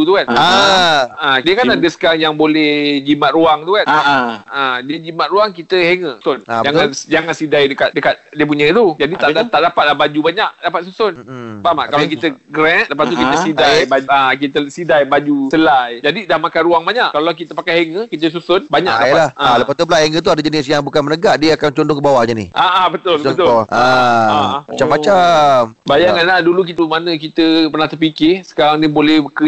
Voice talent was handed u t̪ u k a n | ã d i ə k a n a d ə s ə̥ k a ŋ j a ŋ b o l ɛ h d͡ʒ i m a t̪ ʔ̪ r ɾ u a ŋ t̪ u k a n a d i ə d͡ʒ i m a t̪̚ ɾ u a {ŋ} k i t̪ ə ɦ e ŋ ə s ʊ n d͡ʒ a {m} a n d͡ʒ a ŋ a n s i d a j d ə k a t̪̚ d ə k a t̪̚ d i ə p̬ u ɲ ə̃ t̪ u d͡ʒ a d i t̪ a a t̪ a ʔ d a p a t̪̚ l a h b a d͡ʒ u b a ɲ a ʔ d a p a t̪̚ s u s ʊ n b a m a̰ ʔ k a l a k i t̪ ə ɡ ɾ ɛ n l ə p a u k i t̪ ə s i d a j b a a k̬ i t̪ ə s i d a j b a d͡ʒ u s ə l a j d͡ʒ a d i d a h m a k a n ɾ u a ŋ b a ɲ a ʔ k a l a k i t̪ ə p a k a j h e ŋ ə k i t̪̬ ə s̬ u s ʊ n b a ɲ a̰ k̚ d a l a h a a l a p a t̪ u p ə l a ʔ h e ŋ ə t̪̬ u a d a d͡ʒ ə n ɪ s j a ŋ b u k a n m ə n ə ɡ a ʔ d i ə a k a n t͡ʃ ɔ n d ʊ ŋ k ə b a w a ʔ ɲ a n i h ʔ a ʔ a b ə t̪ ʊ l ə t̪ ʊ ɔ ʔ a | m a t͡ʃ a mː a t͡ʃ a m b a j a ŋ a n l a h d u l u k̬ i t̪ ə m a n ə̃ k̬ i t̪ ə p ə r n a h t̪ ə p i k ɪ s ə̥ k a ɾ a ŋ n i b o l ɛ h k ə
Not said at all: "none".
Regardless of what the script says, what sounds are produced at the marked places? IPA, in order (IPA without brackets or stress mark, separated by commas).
ŋ, ŋ